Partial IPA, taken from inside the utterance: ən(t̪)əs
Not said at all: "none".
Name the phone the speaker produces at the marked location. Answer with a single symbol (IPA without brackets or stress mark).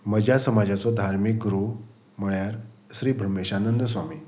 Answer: d̪